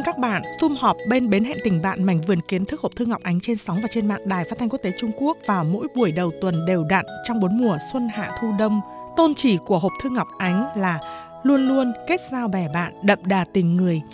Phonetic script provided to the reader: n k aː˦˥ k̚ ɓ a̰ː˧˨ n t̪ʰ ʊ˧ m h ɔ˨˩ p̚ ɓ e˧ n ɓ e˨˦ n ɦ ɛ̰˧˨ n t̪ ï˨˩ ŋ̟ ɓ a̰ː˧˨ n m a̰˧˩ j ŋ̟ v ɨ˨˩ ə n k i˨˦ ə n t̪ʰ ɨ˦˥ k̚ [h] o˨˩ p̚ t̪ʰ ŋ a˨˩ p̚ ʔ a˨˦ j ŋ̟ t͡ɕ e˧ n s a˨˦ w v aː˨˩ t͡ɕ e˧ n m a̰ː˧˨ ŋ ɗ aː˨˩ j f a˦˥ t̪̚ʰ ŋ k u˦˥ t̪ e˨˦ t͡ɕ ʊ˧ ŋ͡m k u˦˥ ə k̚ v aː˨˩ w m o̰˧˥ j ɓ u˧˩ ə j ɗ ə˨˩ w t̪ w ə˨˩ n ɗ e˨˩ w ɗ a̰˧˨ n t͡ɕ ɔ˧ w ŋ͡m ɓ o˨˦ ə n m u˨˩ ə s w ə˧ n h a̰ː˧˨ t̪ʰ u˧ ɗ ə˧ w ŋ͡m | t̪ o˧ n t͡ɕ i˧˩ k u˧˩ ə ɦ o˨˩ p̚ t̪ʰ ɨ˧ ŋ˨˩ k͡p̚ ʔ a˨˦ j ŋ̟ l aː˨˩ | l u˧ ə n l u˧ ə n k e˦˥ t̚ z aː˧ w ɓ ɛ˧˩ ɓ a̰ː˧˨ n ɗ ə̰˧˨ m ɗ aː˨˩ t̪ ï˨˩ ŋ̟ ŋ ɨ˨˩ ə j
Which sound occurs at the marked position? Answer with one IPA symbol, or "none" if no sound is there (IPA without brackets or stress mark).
h